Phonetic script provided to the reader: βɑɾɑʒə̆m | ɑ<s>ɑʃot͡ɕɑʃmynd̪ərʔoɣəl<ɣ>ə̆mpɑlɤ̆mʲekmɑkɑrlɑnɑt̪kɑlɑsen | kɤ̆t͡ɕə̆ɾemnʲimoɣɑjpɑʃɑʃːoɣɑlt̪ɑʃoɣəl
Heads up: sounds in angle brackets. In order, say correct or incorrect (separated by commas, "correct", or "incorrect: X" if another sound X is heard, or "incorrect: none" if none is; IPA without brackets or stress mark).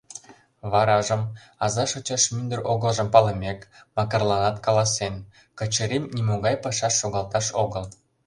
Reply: incorrect: z, incorrect: ʒ